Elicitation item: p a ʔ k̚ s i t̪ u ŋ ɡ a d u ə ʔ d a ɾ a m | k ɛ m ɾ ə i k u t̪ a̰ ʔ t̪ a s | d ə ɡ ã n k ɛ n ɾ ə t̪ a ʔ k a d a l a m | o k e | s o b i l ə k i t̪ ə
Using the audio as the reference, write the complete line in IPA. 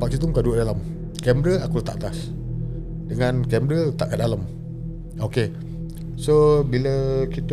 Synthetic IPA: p a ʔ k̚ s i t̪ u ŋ k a d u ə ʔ d a l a m | k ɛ m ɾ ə a k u t̪ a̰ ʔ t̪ a s | d ə ŋ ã n k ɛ m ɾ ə t̪ a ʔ k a d a l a m | o k e | s o b i l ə k i t̪ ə